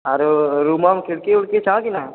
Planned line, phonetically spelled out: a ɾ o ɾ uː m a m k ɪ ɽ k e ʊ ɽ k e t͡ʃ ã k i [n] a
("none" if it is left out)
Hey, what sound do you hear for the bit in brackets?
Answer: n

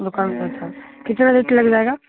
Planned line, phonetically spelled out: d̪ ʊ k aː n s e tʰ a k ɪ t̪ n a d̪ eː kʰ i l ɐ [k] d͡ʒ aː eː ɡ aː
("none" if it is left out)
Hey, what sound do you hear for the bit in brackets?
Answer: ɡ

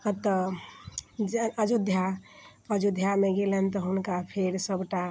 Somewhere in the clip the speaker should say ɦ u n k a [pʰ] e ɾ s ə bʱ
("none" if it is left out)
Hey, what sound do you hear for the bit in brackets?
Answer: pʰ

